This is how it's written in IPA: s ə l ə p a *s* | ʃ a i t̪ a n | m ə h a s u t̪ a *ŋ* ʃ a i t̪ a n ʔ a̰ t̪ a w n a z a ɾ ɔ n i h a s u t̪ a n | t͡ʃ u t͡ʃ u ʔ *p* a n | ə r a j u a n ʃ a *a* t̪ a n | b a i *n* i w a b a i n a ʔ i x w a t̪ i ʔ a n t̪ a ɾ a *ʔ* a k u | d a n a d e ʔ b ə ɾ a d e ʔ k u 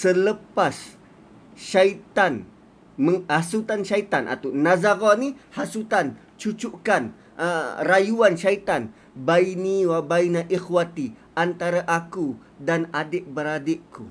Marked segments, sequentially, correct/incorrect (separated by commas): correct, incorrect, incorrect, incorrect, correct, correct